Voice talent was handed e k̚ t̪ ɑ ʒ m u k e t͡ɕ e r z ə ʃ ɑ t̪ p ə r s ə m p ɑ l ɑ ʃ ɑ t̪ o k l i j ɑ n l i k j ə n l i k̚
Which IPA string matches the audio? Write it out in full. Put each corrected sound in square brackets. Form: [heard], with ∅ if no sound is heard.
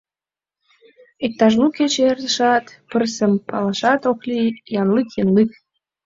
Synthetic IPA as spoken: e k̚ t̪ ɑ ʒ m u k e t͡ɕ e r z ə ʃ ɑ t̪ p ə r s ə m p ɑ l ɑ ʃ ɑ t̪ o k l i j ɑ n l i k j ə n l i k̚